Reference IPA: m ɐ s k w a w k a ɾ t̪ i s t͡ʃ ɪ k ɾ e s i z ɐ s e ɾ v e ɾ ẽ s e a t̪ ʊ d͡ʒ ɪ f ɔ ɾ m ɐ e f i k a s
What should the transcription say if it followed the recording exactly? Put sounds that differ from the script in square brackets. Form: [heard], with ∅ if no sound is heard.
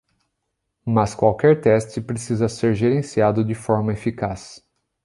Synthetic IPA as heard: m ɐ s k w a w k [ɛ] ɾ t̪ [ɛ] s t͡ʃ ɪ [p] ɾ e s i z ɐ s e ɾ [ʒ] e ɾ ẽ s [i] a [d̪] ʊ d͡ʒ ɪ f ɔ ɾ m ɐ e f i k a s